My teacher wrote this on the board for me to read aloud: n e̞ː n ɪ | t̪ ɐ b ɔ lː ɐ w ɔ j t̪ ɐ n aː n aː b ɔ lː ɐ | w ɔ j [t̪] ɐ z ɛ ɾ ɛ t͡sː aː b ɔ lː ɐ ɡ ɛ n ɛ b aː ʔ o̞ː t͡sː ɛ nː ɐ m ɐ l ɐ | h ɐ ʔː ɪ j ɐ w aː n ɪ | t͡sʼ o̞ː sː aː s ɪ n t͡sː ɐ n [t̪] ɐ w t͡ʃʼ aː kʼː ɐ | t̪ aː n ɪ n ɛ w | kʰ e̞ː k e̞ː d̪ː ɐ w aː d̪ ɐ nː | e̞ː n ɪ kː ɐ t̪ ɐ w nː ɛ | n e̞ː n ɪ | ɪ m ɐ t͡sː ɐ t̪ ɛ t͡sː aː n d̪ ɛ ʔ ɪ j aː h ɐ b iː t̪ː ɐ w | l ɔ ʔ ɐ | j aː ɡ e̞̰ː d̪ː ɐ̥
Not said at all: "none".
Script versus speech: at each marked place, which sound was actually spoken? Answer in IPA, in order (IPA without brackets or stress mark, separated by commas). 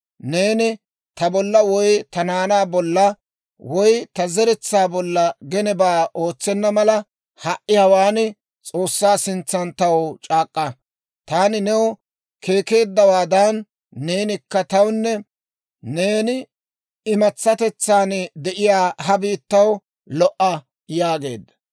t̪, t̪